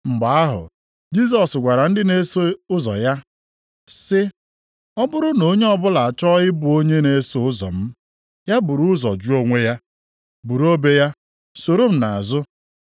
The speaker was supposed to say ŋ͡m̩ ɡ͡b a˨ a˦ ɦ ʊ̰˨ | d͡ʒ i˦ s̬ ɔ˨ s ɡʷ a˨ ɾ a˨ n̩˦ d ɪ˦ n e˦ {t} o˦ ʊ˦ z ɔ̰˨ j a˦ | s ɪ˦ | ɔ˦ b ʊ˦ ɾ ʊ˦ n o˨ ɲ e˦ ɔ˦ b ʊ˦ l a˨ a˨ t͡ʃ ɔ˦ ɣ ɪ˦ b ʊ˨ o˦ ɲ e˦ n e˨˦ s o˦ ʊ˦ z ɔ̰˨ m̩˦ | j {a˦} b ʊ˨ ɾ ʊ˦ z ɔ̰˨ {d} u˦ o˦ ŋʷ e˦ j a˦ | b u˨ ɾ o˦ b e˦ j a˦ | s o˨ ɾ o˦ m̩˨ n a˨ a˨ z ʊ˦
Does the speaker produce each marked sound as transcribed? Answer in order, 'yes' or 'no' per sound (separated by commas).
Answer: no, yes, no